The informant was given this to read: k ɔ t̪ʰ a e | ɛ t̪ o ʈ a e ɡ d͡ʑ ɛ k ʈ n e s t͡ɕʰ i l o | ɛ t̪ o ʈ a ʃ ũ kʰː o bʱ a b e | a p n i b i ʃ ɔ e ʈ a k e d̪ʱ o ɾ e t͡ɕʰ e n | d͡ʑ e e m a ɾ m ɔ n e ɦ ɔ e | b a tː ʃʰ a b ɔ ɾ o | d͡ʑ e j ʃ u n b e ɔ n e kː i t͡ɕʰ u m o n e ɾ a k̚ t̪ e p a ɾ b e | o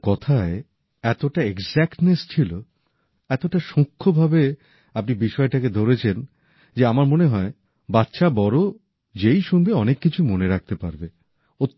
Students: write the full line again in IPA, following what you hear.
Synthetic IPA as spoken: k ɔ t̪ʰ a e | ɛ t̪ o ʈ a e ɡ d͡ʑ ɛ k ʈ n e s t͡ɕʰ i l o | ɛ t̪ o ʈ a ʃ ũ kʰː o bʱ a b e | a p n i b i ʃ ɔ e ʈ a k e d̪ʱ o ɾ e t͡ɕʰ e n | d͡ʑ e a m a ɾ m o n e ɦ ɔ e | b a tː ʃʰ a b ɔ ɾ o | d͡ʑ e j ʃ u n b e ɔ n e kː i t͡ɕʰ u m o n e ɾ a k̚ t̪ e p a ɾ b e | o